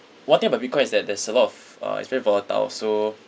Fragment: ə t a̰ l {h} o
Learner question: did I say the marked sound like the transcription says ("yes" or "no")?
no